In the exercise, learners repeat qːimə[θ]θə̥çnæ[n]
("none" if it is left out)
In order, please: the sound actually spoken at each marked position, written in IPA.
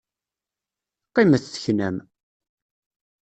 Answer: θ, m

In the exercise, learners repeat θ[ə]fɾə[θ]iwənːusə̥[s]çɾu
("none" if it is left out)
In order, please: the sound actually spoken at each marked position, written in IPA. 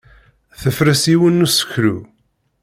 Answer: ə, s, none

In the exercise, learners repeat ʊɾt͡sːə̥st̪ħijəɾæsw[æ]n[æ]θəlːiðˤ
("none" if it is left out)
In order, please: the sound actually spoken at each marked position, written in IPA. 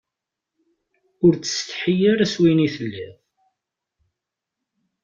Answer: i, i

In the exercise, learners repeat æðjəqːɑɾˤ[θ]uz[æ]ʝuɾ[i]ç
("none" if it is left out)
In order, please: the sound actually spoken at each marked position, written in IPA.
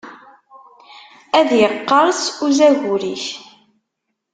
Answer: s, æ, i

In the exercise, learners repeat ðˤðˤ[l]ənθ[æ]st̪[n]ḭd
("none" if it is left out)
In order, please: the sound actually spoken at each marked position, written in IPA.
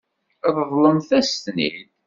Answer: l, æ, n

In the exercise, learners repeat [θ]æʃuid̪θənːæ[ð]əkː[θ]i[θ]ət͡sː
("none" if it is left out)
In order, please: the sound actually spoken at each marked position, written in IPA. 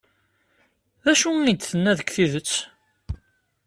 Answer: ð, ð, θ, ð

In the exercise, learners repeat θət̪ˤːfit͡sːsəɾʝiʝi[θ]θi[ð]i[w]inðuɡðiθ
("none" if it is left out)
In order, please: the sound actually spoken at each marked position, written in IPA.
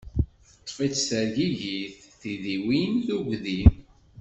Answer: θ, ð, w

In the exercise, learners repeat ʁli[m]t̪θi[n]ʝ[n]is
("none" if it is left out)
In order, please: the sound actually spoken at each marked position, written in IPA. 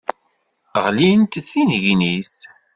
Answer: n, n, n

